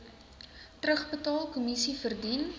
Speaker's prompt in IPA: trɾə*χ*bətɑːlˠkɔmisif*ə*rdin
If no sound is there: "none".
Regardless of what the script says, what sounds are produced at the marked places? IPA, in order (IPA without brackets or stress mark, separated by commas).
χ, ə